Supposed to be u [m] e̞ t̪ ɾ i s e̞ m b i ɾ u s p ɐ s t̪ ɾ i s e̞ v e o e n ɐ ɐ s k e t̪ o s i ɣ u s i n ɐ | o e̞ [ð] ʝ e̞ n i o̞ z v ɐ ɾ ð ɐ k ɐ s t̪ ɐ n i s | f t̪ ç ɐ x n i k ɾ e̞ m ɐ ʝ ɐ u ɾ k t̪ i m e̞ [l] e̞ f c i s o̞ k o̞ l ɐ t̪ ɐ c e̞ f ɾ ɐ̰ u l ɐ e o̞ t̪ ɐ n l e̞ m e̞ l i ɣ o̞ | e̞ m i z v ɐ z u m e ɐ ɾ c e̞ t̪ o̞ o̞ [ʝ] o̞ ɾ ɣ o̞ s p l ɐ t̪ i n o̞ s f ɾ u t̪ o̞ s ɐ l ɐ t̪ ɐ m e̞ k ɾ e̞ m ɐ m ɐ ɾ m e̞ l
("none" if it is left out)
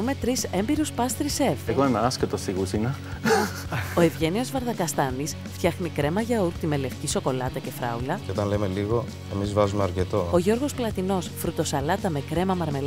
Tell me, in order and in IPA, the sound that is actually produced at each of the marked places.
m, v, l, ʝ

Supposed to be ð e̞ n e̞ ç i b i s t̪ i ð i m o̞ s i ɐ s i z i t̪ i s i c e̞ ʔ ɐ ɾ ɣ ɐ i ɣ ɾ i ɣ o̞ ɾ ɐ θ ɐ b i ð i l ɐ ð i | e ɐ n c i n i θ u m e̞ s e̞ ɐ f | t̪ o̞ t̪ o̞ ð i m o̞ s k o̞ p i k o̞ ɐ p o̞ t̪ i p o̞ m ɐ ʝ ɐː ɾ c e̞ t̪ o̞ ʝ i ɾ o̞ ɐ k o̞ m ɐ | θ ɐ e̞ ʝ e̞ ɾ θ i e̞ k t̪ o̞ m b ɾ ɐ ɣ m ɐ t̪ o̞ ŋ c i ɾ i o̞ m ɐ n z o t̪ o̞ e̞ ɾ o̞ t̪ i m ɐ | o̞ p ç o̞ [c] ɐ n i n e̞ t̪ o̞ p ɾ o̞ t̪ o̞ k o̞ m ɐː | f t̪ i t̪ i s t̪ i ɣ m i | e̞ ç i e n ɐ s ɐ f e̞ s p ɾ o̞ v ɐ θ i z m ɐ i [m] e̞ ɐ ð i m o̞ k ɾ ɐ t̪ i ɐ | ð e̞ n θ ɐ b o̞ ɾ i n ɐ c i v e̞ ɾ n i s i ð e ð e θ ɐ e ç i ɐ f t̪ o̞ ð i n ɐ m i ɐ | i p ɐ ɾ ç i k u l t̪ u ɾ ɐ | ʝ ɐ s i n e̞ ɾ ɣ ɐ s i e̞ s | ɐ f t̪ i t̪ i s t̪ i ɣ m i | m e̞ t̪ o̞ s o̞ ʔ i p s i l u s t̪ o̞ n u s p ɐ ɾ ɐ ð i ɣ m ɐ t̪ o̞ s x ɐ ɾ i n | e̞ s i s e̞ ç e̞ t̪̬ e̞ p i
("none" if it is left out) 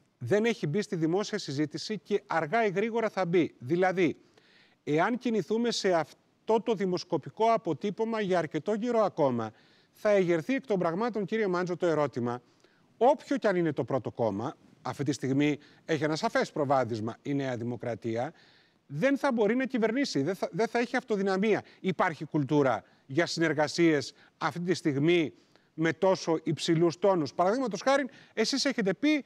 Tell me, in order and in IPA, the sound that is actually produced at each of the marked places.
c, n

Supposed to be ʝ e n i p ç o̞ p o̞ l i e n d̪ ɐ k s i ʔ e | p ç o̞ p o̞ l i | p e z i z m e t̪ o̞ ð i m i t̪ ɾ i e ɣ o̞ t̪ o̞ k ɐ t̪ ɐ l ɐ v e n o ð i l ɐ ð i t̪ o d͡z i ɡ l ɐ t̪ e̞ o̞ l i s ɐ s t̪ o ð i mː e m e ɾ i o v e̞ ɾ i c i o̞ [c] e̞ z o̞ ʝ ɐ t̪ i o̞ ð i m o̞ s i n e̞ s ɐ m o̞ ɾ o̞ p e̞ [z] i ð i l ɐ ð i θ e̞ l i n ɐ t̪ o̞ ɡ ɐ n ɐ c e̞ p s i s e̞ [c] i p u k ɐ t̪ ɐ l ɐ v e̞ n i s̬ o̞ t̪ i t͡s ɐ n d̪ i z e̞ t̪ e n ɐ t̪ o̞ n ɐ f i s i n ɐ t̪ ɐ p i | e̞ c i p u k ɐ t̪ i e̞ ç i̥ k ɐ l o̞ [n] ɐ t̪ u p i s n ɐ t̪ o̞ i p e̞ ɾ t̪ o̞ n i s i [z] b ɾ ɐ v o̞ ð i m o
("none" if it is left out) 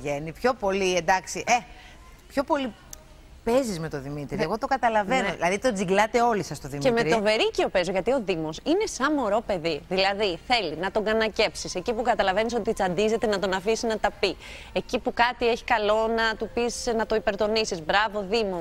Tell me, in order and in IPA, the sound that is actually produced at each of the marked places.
p, ð, c, n, z

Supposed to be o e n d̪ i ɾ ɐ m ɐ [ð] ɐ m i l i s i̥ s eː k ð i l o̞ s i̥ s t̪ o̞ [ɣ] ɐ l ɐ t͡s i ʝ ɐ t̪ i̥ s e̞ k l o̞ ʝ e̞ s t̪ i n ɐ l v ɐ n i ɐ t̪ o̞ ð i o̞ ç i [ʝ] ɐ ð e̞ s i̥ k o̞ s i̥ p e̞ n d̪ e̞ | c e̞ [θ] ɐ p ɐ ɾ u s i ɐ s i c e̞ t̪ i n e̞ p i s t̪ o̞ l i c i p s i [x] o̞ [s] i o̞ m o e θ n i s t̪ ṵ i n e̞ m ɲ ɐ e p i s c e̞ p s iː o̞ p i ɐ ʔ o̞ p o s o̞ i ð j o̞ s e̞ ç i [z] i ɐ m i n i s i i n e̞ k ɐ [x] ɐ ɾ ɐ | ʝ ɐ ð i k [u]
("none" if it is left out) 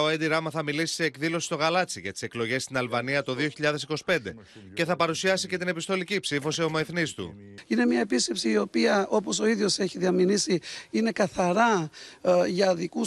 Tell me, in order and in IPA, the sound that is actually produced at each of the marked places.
θ, ɣ, ʎ, θ, f, s, ð, θ, u

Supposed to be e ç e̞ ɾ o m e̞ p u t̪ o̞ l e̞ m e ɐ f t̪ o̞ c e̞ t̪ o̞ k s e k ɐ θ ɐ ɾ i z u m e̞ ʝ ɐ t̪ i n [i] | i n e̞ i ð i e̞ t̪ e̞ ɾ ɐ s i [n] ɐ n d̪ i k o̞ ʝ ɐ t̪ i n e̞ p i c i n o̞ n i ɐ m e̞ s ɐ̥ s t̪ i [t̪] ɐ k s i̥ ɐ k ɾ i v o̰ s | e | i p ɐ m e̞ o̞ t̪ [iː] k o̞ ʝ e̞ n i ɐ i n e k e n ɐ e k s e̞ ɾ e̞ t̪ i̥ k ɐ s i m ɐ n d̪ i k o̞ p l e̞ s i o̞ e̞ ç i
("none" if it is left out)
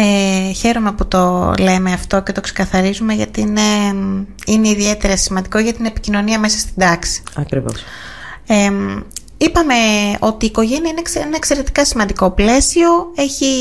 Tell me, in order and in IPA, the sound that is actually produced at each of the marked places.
e, m, d̪, iː

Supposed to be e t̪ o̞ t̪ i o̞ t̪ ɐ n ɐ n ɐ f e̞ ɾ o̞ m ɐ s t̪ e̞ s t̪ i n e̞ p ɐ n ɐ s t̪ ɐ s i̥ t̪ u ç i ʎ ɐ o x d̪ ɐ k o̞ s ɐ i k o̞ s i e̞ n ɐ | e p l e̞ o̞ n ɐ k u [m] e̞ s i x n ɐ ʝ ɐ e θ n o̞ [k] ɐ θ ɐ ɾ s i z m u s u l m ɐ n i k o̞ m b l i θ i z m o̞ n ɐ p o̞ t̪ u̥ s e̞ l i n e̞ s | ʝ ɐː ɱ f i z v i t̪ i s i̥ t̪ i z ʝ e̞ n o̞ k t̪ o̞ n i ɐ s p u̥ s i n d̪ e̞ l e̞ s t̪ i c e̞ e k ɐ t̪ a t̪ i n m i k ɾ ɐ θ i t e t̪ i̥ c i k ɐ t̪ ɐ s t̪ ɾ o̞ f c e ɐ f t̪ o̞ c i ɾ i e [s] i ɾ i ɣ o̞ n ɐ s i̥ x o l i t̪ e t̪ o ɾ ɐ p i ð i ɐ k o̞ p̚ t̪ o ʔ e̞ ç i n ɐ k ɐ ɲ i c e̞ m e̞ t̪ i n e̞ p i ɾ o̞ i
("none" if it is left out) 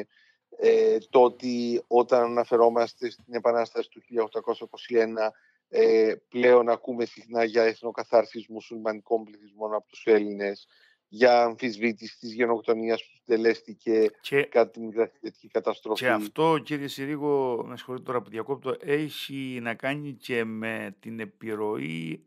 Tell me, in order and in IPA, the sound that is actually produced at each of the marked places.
m, k, s

